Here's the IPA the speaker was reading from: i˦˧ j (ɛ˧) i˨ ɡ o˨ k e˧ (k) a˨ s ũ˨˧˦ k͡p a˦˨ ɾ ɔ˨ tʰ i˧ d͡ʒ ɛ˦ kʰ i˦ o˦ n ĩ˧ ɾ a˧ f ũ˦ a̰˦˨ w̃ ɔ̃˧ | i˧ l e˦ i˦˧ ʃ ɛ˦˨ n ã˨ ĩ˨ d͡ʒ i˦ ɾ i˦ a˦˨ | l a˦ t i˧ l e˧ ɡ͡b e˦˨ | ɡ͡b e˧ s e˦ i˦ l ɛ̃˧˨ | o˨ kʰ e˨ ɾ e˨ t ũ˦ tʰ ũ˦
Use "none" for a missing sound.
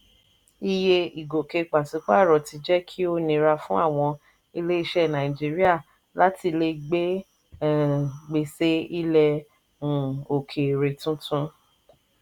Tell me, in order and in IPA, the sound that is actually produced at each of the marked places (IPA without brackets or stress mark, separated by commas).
e˧, k͡p